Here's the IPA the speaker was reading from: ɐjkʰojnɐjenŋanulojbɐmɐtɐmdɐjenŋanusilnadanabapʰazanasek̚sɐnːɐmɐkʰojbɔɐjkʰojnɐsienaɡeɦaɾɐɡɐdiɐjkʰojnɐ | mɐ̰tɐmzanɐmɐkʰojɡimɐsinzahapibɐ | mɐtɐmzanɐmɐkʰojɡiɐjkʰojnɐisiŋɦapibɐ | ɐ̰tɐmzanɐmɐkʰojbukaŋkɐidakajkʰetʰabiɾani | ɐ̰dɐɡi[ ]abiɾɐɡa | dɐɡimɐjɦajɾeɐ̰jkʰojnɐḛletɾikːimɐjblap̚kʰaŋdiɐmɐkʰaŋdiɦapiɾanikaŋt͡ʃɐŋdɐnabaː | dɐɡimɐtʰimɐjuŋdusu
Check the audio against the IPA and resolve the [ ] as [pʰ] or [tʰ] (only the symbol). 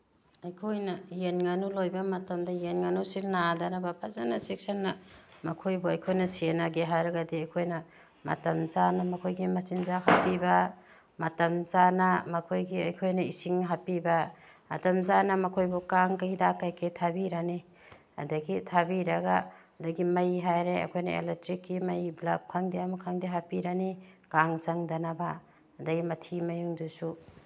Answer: tʰ